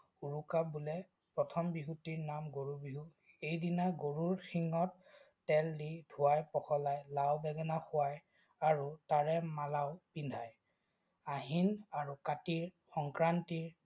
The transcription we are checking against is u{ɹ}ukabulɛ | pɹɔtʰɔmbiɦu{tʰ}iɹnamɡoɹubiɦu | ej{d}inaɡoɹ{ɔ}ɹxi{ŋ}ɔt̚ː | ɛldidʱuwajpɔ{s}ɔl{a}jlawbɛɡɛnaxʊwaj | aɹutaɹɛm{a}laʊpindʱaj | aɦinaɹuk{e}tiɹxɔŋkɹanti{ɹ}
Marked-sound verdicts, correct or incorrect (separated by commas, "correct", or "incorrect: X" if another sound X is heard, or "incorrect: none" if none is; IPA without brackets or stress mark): correct, incorrect: t, correct, incorrect: u, correct, incorrect: x, correct, correct, incorrect: a, correct